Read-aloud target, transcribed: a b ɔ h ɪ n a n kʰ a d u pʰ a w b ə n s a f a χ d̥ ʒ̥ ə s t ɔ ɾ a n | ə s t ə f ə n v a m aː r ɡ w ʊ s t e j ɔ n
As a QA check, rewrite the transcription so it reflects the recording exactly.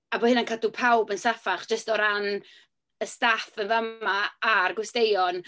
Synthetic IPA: a b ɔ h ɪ n a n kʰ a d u pʰ a w b ə n s a f a χ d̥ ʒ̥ ə s t ɔ ɾ a n | ə s t a f ə n v a m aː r ɡ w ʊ s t e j ɔ n